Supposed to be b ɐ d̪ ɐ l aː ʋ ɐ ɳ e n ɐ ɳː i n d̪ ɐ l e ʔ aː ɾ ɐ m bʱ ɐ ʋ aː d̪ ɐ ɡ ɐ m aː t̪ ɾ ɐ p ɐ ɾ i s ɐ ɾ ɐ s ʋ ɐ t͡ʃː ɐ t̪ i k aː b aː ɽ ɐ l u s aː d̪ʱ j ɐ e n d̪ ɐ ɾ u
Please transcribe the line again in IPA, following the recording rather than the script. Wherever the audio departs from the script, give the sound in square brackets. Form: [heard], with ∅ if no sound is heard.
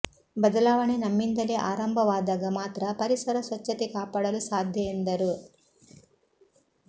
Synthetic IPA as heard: b ɐ d̪ ɐ l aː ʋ ɐ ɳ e n ɐ [mː] i n d̪ ɐ l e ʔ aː ɾ ɐ m bʱ ɐ ʋ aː d̪ ɐ ɡ ɐ m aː t̪ ɾ ɐ p ɐ ɾ i s ɐ ɾ ɐ s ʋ ɐ t͡ʃː ɐ t̪ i k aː [p] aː ɽ ɐ l u s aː d̪ʱ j ɐ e n d̪ ɐ ɾ u

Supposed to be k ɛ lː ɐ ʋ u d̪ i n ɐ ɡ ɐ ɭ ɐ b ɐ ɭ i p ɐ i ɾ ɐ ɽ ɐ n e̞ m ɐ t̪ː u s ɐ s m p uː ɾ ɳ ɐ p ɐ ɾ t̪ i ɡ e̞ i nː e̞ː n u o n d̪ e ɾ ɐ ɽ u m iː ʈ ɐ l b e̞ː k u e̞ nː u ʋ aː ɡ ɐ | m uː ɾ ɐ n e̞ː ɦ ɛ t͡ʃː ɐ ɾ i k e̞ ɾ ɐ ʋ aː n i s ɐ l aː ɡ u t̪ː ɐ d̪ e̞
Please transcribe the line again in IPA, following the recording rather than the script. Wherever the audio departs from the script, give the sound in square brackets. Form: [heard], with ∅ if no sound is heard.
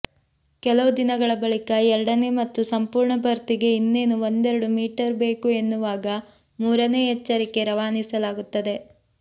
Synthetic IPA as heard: k ɛ [l] ɐ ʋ u d̪ i n ɐ ɡ ɐ ɭ ɐ b ɐ ɭ i [k] ɐ [ɛ] ɾ ɐ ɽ ɐ n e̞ m ɐ t̪ː u s ɐ [∅] m p uː ɾ ɳ ɐ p ɐ ɾ t̪ i ɡ e̞ i nː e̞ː n u o n d̪ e ɾ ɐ ɽ u m iː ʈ ɐ [ɾ] b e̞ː k u e̞ nː u ʋ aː ɡ ɐ | m uː ɾ ɐ n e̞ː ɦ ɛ t͡ʃː ɐ ɾ i k e̞ ɾ ɐ ʋ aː n i s ɐ l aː ɡ u t̪ː ɐ d̪ e̞

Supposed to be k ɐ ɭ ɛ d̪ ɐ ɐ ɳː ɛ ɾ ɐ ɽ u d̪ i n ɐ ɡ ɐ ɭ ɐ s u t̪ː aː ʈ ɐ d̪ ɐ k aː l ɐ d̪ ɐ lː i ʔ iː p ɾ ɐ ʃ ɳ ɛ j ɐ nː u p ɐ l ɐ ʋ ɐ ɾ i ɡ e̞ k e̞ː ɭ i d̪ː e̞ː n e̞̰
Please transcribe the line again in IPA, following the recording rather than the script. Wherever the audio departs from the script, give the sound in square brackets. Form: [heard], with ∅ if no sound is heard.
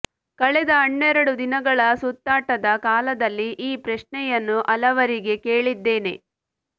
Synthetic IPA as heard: k ɐ ɭ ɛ d̪ ɐ ɐ ɳː ɛ ɾ ɐ ɽ u d̪ i n ɐ ɡ ɐ ɭ ɐ s u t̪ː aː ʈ ɐ d̪ ɐ k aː l ɐ d̪ ɐ lː i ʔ iː p ɾ ɐ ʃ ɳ ɛ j ɐ nː u [ʔ] ɐ l ɐ ʋ ɐ ɾ i ɡ e̞ k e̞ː ɭ i d̪ː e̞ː n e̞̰

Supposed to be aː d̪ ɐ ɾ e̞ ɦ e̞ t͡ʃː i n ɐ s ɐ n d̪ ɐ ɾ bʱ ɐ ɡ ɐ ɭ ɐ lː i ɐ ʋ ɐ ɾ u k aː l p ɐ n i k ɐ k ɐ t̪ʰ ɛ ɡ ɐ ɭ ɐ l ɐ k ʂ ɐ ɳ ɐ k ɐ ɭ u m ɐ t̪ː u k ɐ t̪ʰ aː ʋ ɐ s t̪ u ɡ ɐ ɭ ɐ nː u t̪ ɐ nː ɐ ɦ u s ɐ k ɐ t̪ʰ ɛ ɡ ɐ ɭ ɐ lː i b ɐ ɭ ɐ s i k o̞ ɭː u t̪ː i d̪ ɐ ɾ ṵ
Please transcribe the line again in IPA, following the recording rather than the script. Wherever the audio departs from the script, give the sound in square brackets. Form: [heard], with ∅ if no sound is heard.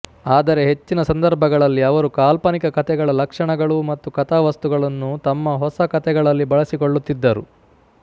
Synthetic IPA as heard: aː d̪ ɐ ɾ e̞ ɦ e̞ t͡ʃː i n ɐ s ɐ n d̪ ɐ ɾ bʱ ɐ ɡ ɐ ɭ ɐ lː i ɐ ʋ ɐ ɾ u k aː l p ɐ n i k ɐ k ɐ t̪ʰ ɛ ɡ ɐ ɭ ɐ l ɐ k ʂ ɐ ɳ ɐ [ɡ] ɐ ɭ u m ɐ t̪ː u k ɐ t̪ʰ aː ʋ ɐ s t̪ u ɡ ɐ ɭ ɐ nː u t̪ ɐ [mː] ɐ ɦ [ɔ] s ɐ k ɐ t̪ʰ ɛ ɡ ɐ ɭ ɐ lː i b ɐ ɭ ɐ s i k o̞ ɭː u t̪ː i [d̪ː] ɐ ɾ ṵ

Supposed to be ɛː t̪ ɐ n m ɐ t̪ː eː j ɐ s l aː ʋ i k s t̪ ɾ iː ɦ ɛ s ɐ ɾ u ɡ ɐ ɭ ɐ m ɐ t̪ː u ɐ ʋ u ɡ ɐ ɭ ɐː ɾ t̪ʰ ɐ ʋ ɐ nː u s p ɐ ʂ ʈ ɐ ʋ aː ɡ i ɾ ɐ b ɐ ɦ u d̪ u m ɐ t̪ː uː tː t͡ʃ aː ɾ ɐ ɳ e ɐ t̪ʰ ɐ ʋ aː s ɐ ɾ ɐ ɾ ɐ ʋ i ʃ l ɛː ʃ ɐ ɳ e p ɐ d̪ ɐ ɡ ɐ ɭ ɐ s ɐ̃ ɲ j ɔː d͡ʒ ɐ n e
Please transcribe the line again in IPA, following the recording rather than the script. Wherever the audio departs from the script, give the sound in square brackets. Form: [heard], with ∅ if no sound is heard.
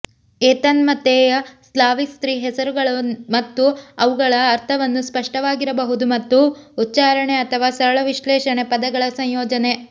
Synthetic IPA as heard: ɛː t̪ ɐ n m ɐ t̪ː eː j ɐ s l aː ʋ i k s t̪ ɾ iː ɦ ɛ s ɐ ɾ u ɡ ɐ ɭ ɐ m ɐ t̪ː u ɐ ʋ u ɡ ɐ ɭ ɐː ɾ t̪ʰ ɐ ʋ ɐ nː u s p ɐ ʂ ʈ ɐ ʋ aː ɡ i ɾ ɐ b ɐ ɦ u d̪ u m ɐ t̪ː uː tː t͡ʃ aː ɾ ɐ ɳ e ɐ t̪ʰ ɐ ʋ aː s ɐ ɾ ɐ [ɭ] ɐ ʋ i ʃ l ɛː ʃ ɐ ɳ e p ɐ d̪ ɐ ɡ ɐ ɭ ɐ s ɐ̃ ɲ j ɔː d͡ʒ ɐ n e

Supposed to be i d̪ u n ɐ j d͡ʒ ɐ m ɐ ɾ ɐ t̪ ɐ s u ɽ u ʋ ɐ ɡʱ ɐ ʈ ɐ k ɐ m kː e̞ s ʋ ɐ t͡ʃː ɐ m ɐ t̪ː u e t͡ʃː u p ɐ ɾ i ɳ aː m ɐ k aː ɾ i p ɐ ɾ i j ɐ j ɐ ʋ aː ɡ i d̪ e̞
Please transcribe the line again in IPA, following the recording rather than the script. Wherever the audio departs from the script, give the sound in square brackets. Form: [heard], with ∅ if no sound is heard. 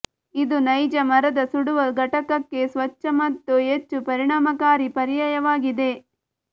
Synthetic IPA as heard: i d̪ u n ɐ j d͡ʒ ɐ m ɐ ɾ ɐ [d̪] ɐ s u ɽ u ʋ ɐ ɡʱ ɐ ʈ ɐ k ɐ [∅] kː e̞ s ʋ ɐ t͡ʃː ɐ m ɐ t̪ː u e t͡ʃː u p ɐ ɾ i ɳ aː m ɐ k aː ɾ i p ɐ ɾ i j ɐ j ɐ ʋ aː ɡ i d̪ e̞

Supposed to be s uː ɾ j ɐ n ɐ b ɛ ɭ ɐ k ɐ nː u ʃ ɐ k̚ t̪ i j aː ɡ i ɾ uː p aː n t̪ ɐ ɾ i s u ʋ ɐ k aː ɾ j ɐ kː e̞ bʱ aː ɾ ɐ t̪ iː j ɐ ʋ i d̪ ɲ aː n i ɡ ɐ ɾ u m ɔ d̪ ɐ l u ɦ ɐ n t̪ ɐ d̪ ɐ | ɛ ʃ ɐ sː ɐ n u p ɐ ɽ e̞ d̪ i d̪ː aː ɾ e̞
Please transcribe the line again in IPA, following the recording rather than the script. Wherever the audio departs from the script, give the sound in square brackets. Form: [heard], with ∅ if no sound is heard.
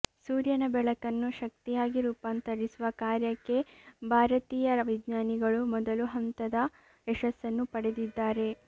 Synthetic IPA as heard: s uː ɾ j ɐ n ɐ b ɛ ɭ ɐ k ɐ nː u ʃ ɐ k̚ t̪ i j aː ɡ i ɾ uː p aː n t̪ ɐ ɾ i s u ʋ ɐ k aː ɾ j ɐ kː e̞ bʱ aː ɾ ɐ t̪ iː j ɐ ʋ i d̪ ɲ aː n i ɡ ɐ [ɭ] u m ɔ d̪ ɐ l u ɦ ɐ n t̪ ɐ d̪ ɐ | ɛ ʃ ɐ sː ɐ [nː] u p ɐ ɽ e̞ d̪ i d̪ː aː ɾ e̞

